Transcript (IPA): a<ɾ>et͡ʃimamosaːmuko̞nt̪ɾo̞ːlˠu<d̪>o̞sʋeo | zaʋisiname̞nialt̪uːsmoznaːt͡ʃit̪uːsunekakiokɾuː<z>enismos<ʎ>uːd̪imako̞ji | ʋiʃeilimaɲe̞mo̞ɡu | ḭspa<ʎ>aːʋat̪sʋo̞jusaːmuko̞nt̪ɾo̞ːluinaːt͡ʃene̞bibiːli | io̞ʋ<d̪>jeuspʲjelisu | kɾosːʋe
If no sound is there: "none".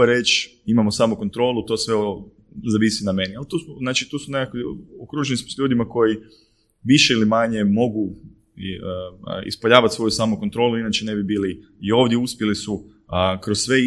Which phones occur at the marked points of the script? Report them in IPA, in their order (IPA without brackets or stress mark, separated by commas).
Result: ɾ, t̪, ʒ, ʎ, ʎ, d̪